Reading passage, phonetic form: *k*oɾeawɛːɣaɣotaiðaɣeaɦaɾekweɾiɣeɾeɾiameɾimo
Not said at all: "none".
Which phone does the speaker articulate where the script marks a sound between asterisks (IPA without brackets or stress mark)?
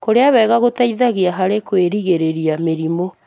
k